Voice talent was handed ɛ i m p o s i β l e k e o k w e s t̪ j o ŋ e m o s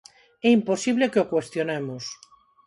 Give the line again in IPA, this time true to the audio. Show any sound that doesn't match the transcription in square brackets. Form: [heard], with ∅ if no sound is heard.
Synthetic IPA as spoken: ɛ i m p o s i β l e k e o k w e s t̪ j o [n] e m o s